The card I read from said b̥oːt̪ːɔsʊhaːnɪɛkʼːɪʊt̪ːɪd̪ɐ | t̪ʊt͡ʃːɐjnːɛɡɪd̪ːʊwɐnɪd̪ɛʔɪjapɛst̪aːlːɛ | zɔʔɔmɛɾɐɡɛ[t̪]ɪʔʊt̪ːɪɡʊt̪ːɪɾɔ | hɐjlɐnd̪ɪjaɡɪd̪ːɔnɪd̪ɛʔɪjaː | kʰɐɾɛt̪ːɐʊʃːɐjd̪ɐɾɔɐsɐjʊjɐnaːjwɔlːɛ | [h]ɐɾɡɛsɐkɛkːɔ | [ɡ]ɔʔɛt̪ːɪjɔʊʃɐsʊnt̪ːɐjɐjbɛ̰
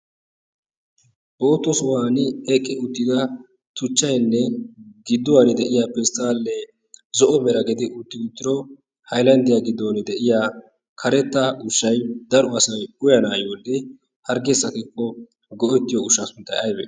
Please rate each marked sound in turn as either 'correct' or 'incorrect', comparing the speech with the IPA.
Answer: incorrect: d̪, correct, correct

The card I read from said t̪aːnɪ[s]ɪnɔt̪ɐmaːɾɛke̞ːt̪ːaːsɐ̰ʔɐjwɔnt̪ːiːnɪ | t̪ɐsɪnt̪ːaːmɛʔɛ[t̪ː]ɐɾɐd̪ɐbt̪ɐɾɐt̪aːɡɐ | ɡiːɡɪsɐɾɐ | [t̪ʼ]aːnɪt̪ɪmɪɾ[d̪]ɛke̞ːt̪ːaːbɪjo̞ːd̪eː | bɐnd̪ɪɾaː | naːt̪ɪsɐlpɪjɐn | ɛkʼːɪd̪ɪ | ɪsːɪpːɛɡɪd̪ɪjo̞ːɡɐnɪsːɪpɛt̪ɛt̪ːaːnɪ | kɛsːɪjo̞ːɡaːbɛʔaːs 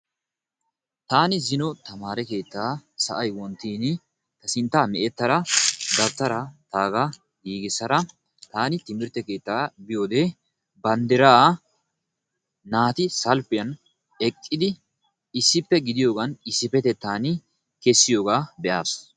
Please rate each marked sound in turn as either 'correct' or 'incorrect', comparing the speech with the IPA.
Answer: incorrect: z, correct, incorrect: t̪, incorrect: t̪

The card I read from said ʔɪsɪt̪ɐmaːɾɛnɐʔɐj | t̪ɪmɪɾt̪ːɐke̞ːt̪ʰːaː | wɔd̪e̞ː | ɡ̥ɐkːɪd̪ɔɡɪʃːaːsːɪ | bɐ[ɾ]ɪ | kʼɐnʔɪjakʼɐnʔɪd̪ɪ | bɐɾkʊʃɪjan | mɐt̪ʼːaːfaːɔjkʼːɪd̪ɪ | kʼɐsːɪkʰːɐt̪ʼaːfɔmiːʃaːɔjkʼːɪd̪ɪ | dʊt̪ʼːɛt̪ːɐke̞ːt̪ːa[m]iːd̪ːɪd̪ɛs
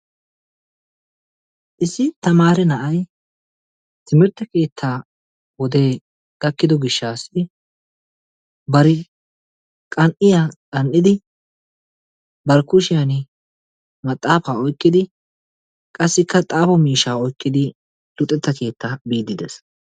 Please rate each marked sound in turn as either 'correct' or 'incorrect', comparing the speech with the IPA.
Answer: correct, incorrect: b

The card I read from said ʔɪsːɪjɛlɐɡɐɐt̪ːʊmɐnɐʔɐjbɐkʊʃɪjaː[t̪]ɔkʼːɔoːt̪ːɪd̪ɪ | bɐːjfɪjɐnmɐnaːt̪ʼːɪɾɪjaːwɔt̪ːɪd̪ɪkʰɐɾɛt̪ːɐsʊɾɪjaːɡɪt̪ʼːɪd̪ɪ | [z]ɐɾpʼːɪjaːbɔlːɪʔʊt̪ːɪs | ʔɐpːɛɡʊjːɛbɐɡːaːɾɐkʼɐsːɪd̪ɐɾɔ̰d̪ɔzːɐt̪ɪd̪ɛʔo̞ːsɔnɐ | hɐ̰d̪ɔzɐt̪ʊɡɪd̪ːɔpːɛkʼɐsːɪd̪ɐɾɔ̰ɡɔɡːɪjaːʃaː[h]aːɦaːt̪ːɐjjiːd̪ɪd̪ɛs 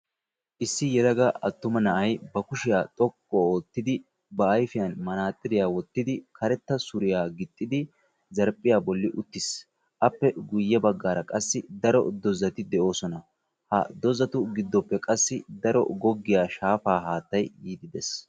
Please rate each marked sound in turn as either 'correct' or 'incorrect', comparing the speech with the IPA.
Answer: incorrect: t̪ʼ, correct, incorrect: f

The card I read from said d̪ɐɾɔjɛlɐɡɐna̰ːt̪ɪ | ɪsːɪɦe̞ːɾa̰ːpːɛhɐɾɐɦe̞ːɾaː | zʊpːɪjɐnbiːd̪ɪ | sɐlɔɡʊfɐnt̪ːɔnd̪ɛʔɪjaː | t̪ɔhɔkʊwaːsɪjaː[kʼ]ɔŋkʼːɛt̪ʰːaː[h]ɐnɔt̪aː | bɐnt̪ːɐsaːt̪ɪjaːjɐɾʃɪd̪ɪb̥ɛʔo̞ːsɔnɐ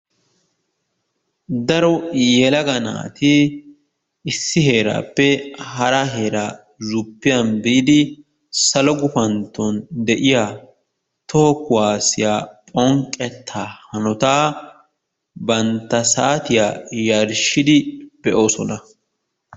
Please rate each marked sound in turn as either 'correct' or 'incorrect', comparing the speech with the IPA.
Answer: incorrect: pʼ, correct

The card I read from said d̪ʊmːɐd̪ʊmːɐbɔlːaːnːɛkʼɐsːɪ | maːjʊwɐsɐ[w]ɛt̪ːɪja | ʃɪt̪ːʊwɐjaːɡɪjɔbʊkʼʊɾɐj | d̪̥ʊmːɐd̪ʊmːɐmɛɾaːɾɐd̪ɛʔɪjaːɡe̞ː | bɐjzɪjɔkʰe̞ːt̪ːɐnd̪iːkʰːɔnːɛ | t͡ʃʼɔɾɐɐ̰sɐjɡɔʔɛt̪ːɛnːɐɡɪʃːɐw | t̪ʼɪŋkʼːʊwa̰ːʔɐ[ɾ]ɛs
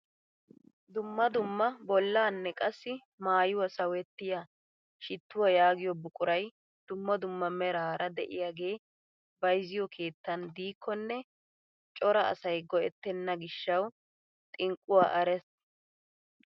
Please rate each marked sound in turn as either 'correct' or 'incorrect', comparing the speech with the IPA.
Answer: correct, correct

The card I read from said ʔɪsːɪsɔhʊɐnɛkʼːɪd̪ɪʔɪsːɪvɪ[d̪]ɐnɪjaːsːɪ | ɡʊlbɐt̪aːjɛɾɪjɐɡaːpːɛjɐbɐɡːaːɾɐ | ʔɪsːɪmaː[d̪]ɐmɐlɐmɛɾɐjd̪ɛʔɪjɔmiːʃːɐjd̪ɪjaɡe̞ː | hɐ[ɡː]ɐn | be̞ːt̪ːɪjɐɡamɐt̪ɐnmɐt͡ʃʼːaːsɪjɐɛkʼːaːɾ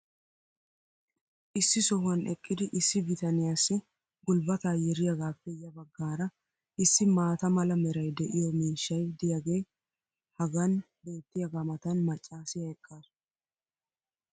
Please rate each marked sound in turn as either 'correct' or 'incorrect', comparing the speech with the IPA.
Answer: incorrect: t̪, incorrect: t̪, incorrect: ɡ

